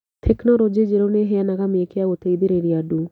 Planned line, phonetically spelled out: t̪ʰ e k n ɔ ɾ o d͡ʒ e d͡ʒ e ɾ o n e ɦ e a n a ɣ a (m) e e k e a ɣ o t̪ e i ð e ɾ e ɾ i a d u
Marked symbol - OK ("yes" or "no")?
yes